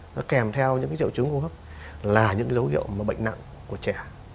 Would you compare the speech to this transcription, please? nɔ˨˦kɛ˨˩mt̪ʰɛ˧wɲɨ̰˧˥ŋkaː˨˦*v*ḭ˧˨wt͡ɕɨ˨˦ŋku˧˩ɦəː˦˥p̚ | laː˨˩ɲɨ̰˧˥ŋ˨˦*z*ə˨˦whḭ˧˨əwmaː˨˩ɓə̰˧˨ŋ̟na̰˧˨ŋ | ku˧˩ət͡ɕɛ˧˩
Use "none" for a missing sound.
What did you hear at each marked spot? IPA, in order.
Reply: z, z

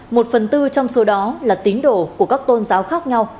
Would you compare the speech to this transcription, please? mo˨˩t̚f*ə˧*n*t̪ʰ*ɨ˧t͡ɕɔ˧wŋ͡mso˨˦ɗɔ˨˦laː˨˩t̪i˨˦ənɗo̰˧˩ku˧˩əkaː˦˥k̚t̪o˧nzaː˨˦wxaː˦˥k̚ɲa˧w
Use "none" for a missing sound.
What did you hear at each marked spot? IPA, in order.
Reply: ə˨˩, t̪

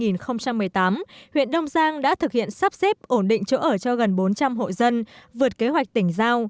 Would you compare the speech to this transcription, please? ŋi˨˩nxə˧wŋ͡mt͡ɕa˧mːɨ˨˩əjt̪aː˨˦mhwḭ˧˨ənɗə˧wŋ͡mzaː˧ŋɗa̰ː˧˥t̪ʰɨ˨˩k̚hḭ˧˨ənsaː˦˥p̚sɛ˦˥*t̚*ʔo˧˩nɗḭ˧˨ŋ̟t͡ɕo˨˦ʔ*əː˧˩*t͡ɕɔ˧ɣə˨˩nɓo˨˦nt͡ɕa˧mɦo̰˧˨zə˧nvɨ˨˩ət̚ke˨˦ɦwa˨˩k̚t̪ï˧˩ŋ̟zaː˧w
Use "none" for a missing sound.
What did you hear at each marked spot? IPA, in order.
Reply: p̚, əː˧˩

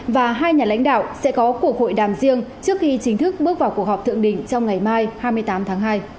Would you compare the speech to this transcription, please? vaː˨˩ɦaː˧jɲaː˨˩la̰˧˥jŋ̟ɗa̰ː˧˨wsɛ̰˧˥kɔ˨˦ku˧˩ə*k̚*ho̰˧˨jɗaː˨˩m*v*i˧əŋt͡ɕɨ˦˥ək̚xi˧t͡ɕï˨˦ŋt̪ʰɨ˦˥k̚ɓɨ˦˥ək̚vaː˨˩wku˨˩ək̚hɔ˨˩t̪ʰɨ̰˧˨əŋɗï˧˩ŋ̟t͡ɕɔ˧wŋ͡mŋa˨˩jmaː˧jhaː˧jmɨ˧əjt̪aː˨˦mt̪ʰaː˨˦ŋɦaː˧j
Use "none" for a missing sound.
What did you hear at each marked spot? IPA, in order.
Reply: k̚, z

